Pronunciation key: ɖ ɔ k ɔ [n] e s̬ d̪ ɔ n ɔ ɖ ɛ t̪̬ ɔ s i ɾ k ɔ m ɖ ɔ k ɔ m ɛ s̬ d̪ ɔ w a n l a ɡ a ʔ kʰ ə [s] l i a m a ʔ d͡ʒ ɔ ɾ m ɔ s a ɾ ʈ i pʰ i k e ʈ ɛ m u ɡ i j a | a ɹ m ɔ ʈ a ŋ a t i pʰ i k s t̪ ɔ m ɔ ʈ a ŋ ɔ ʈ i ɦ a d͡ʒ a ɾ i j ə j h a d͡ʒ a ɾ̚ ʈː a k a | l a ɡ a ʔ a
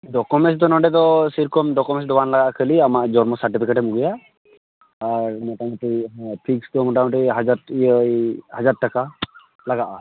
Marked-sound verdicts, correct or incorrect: incorrect, incorrect

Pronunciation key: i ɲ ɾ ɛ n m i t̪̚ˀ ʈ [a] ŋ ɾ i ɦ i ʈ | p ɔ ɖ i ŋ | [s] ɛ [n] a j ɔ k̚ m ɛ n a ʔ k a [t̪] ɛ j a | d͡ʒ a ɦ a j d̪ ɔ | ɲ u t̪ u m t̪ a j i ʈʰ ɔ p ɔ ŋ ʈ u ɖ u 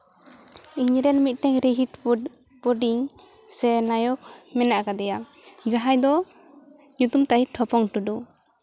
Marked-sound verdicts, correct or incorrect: incorrect, correct, correct, incorrect

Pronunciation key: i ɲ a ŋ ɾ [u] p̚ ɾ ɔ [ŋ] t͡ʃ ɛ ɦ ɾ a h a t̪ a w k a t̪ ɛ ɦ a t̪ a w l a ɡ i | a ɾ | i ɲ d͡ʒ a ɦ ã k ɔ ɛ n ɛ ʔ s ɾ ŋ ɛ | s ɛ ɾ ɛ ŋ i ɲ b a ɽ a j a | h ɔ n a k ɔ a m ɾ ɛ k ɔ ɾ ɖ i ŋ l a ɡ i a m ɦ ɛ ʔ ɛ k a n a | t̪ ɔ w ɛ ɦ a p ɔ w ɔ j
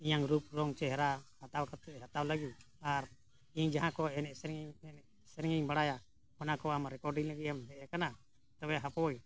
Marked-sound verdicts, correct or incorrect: correct, correct

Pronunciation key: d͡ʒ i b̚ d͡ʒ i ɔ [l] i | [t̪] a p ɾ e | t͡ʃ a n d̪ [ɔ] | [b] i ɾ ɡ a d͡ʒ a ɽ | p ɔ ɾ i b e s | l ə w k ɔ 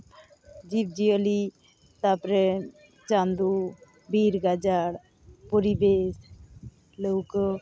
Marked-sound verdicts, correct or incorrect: correct, correct, incorrect, correct

